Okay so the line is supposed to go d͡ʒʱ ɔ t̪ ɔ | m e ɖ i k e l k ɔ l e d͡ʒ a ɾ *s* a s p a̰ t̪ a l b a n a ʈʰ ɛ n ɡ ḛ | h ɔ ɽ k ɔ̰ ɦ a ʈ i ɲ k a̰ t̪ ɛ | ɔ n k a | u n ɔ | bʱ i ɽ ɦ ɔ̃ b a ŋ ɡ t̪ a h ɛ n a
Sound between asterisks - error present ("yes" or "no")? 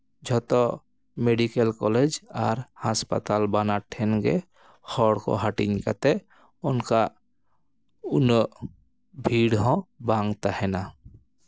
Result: yes